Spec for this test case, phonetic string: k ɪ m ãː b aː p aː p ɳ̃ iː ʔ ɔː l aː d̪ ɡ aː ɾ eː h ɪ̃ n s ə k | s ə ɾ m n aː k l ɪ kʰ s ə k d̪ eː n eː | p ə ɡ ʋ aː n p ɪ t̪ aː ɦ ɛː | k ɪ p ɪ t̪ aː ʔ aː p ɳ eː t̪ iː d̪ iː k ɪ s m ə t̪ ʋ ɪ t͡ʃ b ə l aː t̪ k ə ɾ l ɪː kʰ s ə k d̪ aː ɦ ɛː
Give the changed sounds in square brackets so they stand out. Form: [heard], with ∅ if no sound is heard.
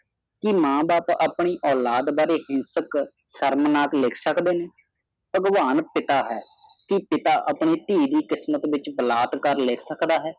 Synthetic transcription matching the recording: k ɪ m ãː b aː p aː p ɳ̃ iː ʔ ɔː l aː d̪ [b] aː ɾ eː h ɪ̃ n s ə k | s ə ɾ m n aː k l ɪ kʰ s ə k d̪ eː n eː | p ə ɡ ʋ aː n p ɪ t̪ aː ɦ ɛː | k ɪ p ɪ t̪ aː ʔ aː p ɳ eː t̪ iː d̪ iː k ɪ s m ə t̪ ʋ ɪ t͡ʃ b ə l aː t̪ k ə ɾ l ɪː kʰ s ə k d̪ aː ɦ ɛː